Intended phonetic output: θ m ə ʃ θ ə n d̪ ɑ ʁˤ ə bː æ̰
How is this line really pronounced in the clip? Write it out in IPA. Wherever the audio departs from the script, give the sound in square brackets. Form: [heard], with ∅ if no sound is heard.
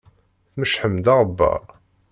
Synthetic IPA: θ m ə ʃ [ħ] ə [m] d̪ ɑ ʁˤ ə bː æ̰